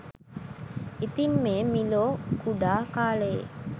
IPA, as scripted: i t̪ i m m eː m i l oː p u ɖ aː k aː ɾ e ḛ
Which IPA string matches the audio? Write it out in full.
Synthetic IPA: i t̪ i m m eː m i l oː k u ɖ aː k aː l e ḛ